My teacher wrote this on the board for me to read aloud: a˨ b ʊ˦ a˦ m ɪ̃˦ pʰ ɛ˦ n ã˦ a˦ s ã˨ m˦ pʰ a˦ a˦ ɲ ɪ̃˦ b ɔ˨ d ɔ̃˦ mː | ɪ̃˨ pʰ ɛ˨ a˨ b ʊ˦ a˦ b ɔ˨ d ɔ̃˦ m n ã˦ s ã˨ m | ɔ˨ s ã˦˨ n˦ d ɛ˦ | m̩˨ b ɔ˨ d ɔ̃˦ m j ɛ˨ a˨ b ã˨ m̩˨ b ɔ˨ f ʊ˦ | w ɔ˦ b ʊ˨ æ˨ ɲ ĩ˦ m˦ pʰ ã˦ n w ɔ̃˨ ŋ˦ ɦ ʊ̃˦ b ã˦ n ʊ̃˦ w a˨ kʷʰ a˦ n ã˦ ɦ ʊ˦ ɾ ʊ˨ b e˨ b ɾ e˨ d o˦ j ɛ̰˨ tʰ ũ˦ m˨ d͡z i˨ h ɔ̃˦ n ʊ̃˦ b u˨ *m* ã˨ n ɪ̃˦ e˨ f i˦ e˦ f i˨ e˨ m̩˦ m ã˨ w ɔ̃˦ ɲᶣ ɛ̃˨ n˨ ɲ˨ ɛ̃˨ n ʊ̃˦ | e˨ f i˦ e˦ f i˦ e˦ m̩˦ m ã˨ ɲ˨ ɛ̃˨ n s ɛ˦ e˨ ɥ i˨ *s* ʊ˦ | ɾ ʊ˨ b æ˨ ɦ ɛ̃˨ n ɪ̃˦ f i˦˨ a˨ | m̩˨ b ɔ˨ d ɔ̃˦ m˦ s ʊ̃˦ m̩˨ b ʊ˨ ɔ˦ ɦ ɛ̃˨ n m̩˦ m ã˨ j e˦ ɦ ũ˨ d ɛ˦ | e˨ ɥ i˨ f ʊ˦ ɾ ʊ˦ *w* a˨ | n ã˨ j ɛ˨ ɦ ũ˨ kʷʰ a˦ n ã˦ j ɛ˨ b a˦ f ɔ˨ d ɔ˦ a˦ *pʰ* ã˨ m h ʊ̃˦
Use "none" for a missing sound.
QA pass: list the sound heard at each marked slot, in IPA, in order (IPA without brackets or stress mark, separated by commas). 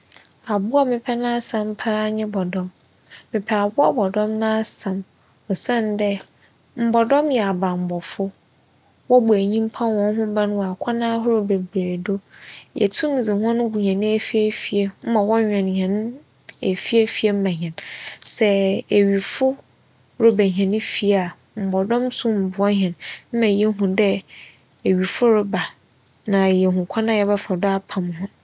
ɲ, f, b, pʰ